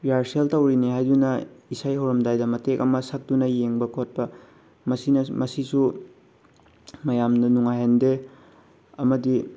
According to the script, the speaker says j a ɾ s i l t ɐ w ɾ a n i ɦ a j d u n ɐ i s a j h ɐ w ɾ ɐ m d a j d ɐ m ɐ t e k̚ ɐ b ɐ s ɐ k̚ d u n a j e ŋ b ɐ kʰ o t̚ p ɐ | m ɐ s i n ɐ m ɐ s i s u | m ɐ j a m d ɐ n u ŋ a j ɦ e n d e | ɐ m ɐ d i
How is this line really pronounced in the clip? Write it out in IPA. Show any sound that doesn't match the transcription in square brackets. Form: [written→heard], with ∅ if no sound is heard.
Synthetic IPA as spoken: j a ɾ s [i→e] l t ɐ w ɾ [a→i] n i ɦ a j d u n ɐ i s a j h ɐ w ɾ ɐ m d a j d ɐ m ɐ t e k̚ ɐ [b→m] ɐ s ɐ k̚ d u n [a→ɐ] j e ŋ b ɐ kʰ o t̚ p ɐ | m ɐ s i n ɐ m ɐ s i s u | m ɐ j a m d ɐ n u ŋ a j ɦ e n d e | ɐ m ɐ d i